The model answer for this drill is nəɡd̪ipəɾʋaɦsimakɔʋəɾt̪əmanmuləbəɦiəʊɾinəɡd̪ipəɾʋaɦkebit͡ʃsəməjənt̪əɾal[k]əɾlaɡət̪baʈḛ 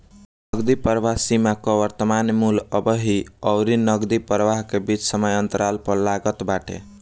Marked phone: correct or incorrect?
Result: incorrect